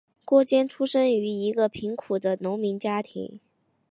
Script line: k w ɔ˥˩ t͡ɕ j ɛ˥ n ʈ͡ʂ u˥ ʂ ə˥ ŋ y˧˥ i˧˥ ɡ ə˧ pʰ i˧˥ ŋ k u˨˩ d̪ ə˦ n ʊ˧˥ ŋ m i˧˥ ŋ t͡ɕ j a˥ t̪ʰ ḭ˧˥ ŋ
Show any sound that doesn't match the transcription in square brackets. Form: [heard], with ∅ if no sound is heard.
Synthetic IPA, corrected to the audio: k w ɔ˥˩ t͡ɕ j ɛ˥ n [ʈ͡ʂʰ] u˥ ʂ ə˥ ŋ y˧˥ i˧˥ ɡ ə˧ pʰ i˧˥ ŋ [kʰ] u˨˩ d̪ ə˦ n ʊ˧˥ ŋ m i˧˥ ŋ t͡ɕ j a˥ t̪ʰ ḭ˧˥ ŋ